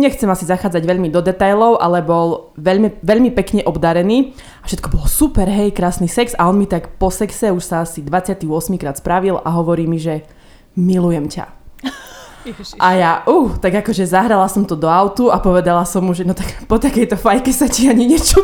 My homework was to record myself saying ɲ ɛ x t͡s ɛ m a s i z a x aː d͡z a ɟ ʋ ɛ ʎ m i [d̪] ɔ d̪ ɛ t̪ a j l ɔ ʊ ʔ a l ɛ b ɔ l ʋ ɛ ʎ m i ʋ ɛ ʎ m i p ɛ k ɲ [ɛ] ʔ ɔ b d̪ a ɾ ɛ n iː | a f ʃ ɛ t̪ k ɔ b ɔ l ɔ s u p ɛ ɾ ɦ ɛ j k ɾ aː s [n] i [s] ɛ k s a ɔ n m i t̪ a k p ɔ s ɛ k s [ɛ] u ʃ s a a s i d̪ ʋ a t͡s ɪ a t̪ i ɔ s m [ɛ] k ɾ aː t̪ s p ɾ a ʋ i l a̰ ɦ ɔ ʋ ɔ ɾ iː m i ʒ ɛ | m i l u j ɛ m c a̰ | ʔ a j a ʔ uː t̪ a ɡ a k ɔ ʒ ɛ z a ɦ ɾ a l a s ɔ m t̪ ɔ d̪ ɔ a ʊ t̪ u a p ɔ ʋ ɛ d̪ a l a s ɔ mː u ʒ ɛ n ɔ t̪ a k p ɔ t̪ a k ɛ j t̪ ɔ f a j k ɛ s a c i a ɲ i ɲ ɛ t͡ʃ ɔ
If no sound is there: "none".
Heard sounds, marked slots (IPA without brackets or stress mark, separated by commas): d̪, ɛ, n, s, ɛ, i